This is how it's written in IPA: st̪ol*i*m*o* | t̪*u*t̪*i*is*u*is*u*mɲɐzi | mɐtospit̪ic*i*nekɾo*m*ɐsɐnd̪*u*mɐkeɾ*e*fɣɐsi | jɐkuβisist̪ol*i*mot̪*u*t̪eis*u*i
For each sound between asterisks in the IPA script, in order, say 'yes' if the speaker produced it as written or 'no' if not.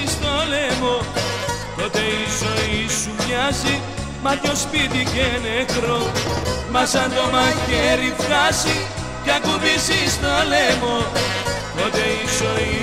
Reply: no, yes, no, no, no, yes, no, yes, no, no, no, no, no

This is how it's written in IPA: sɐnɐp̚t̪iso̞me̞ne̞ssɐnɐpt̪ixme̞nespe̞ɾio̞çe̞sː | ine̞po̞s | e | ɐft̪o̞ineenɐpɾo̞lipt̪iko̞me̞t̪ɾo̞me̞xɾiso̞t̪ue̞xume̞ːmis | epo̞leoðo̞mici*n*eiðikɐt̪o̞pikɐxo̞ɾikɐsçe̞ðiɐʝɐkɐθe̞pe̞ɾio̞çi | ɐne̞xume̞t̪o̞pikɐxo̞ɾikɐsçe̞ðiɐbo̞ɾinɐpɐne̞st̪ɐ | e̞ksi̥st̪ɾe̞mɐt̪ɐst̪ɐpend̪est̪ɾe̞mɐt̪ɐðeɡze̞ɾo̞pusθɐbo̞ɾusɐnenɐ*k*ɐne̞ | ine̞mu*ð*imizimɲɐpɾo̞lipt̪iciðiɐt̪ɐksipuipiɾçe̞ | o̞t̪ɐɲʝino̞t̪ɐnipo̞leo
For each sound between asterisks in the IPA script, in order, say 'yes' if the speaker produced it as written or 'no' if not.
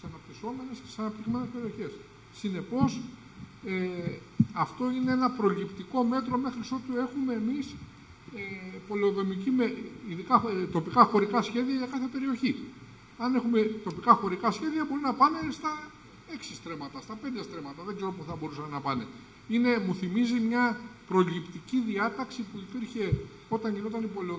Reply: no, no, no

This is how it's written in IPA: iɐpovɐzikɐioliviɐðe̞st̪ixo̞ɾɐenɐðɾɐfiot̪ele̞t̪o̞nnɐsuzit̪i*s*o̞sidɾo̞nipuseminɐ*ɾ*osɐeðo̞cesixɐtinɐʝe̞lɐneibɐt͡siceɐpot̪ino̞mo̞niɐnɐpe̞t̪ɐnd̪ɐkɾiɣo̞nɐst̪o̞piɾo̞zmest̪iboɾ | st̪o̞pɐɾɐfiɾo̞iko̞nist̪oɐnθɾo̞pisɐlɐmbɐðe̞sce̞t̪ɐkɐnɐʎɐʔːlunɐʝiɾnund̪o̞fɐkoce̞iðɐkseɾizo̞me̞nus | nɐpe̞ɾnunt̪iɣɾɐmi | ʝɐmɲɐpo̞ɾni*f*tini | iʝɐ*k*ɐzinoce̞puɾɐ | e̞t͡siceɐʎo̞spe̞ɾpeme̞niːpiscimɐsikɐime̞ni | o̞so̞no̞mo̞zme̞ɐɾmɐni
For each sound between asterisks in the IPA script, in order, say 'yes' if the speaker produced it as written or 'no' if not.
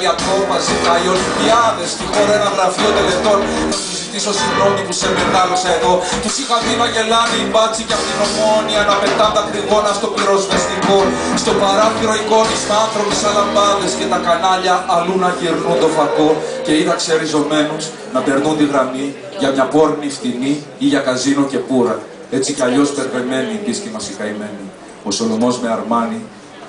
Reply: yes, no, yes, yes

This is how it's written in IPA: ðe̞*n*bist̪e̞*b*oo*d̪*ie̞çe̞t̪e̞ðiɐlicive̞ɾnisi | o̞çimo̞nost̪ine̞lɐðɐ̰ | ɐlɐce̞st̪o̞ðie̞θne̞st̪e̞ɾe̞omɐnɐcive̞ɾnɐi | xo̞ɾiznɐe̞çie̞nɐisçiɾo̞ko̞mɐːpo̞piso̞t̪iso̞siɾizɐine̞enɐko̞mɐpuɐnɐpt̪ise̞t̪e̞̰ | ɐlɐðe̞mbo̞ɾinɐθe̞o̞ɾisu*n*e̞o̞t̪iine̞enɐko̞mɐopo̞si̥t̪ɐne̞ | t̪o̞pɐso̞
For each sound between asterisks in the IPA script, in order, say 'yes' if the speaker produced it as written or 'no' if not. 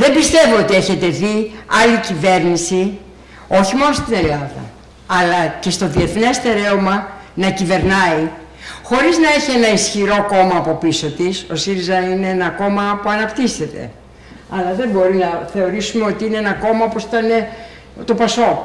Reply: no, no, no, no

